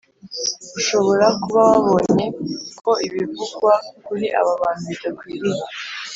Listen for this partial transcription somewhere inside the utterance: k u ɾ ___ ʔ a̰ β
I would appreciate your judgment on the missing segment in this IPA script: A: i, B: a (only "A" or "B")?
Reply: A